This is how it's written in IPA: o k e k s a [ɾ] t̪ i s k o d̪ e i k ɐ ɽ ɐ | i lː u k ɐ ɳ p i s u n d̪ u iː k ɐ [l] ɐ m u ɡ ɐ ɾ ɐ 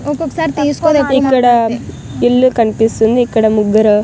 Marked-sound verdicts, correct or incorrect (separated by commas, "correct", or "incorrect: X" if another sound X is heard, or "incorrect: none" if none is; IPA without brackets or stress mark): correct, incorrect: ɽ